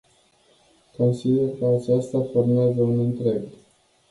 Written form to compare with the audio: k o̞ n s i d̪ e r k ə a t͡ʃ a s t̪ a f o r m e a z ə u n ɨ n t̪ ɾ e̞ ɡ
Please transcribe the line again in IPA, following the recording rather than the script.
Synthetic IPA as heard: k o̞ n s i d̪ e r k ə a t͡ʃ a s t̪ a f o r m e a z ə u n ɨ n t̪ ɾ e̞ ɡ